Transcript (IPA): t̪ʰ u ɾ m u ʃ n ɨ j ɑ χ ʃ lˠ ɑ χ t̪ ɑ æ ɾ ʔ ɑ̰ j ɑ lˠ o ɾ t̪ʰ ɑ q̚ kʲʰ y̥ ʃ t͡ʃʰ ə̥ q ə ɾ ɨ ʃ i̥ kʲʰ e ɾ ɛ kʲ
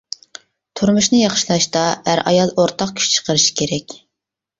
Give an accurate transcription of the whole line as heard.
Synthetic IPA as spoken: t̪ʰ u ɾ m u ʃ n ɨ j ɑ χ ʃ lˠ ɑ ʃ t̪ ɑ æ ɾ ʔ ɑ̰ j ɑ lˠ o ɾ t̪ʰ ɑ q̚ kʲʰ y̥ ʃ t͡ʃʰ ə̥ q ə ɾ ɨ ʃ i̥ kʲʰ e ɾ ɛ kʲ